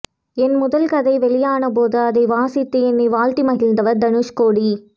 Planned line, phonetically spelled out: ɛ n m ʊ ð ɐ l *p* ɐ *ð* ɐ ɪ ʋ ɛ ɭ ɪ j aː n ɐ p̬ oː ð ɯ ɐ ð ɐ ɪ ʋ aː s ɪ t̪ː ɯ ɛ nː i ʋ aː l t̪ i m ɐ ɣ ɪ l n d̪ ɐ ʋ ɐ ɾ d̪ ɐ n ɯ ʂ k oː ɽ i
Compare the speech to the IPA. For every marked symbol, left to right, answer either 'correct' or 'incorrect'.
incorrect: k, correct

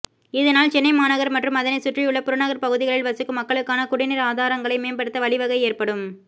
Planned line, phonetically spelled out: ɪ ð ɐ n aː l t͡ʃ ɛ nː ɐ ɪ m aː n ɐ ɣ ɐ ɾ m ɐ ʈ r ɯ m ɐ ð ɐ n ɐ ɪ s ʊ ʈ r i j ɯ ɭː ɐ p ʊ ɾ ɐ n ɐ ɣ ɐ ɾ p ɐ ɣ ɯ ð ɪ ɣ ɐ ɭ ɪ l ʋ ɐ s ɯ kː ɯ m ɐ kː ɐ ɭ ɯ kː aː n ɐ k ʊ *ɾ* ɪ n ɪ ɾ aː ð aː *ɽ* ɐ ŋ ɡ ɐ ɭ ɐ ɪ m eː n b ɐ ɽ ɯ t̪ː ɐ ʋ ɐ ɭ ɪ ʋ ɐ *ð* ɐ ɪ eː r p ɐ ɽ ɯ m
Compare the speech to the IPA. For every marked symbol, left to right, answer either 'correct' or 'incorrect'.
incorrect: ɽ, incorrect: ɾ, incorrect: ɣ

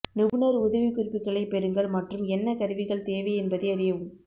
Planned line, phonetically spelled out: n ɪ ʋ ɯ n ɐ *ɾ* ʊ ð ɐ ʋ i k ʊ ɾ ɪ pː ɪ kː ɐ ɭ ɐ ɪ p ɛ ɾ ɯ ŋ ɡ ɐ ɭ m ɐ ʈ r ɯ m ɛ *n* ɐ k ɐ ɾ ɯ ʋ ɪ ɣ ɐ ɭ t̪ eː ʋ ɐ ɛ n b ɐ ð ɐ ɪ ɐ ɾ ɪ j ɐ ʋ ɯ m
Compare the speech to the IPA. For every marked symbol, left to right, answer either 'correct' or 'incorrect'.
correct, incorrect: nː

